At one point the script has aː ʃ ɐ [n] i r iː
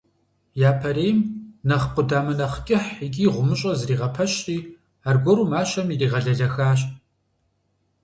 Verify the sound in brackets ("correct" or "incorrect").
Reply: incorrect